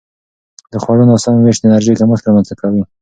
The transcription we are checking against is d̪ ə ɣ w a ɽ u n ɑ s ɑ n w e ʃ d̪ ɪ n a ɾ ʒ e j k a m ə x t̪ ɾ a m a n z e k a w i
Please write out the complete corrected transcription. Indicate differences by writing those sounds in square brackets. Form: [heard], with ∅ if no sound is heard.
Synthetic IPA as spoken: d̪ ə [x] w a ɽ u n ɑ s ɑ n w e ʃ d̪ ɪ n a ɾ ʒ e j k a m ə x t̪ ɾ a m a n z [a] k a w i